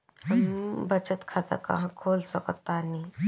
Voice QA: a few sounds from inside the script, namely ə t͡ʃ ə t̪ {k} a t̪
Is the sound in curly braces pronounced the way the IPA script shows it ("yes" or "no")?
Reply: no